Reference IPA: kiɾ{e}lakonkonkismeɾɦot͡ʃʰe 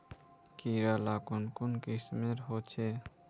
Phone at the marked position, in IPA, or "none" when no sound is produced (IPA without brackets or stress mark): a